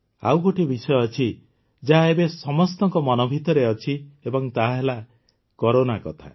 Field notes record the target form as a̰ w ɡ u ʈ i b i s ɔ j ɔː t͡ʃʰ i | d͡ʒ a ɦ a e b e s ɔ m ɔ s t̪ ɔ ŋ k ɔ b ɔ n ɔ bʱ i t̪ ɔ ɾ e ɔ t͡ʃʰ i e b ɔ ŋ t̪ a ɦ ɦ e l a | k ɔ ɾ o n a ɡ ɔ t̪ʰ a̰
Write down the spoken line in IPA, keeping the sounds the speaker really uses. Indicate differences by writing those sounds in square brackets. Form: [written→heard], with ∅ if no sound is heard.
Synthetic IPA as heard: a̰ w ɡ [u→o] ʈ i b i s ɔ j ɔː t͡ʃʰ i | d͡ʒ a ɦ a e b e s ɔ m ɔ s t̪ ɔ ŋ k ɔ [b→m] ɔ n ɔ bʱ i t̪ ɔ ɾ e ɔ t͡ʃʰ i e b ɔ ŋ t̪ a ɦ ɦ e l a | k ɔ ɾ o n a [ɡ→k] ɔ t̪ʰ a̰